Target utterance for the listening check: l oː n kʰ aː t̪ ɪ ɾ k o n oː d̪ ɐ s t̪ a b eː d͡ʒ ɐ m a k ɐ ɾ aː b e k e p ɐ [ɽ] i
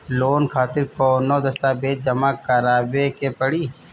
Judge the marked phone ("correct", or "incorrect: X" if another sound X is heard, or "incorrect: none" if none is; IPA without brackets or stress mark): correct